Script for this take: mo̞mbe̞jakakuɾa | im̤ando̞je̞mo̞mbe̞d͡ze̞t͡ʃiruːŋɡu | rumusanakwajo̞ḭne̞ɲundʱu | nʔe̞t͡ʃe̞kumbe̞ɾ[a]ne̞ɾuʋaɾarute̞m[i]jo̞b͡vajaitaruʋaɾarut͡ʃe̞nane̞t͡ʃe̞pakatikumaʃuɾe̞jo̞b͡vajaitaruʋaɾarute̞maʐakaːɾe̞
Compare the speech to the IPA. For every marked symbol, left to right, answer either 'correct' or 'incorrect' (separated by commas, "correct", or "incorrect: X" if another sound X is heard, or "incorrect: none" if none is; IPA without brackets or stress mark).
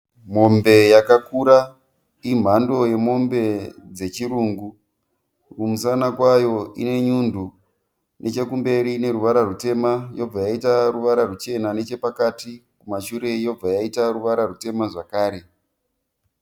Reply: incorrect: i, incorrect: a